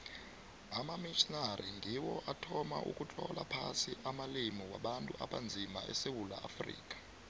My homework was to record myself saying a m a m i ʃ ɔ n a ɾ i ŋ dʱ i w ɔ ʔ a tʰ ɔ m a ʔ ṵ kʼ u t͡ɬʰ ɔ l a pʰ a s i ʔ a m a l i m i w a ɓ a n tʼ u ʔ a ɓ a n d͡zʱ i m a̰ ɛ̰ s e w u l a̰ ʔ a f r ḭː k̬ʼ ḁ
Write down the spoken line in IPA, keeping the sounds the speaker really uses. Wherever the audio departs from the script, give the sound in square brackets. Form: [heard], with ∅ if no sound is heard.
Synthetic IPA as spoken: a m a m i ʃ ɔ n a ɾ i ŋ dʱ i w ɔ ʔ a tʰ ɔ m a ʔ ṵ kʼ u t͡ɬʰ ɔ l a pʰ a s i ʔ a m a l i m i w a ɓ a n tʼ u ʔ a ɓ a n d͡zʱ i m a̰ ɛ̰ s e w u l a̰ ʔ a f r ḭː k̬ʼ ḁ